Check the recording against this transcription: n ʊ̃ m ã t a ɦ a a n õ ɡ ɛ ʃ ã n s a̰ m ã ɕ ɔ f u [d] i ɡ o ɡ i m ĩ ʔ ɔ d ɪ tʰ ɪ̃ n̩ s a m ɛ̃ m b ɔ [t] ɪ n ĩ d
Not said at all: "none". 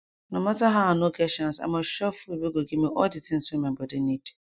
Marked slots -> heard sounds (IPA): b, d

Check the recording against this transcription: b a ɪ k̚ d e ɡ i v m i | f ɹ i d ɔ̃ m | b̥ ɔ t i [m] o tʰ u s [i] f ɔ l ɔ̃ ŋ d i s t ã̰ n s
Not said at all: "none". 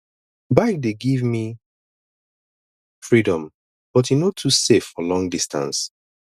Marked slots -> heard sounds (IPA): n, e

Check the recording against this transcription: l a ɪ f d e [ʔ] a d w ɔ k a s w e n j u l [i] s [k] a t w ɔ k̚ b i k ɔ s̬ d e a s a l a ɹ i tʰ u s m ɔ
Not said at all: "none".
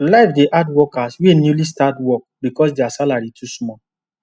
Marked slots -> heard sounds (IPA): ʔ, i, t

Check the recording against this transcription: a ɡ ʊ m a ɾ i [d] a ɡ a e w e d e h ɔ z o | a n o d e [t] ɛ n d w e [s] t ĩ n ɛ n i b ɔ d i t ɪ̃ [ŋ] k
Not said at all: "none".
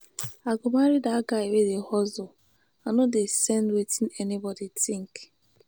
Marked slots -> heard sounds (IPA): d, s, none, ŋ

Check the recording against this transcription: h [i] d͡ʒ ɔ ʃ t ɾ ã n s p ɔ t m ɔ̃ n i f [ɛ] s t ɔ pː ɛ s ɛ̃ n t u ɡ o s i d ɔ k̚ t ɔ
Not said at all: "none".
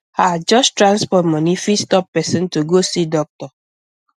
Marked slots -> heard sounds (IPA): a, i

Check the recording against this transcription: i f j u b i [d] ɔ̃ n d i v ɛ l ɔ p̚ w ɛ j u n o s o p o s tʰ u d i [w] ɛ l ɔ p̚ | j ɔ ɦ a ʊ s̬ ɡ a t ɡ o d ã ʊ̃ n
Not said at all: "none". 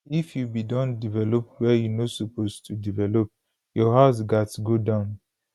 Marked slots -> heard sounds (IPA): d, v

